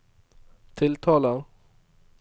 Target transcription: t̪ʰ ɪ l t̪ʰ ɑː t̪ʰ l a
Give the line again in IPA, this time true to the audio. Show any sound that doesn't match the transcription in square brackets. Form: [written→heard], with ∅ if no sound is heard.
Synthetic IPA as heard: t̪ʰ ɪ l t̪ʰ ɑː [t̪ʰ→∅] l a